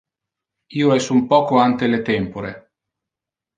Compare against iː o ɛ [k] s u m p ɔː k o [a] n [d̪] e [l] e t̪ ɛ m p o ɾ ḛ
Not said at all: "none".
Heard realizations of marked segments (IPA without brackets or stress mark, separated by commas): none, a, t̪, l